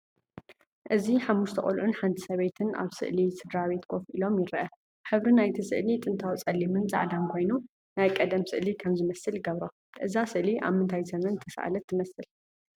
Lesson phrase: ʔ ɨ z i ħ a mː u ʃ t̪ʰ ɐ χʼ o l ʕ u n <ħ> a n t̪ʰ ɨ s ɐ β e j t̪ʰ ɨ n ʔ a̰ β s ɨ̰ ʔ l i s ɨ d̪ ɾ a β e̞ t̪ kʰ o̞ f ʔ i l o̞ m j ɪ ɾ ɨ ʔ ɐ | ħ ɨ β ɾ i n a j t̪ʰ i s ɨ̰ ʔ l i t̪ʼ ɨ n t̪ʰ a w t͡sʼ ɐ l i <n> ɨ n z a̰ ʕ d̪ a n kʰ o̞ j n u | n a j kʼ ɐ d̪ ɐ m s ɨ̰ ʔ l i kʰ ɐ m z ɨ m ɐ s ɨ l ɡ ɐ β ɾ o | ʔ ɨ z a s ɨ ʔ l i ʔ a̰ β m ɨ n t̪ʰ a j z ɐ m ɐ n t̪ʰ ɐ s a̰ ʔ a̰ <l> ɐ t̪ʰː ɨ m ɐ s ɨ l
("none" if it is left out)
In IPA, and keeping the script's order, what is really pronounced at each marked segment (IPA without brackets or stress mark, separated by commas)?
ħ, m, l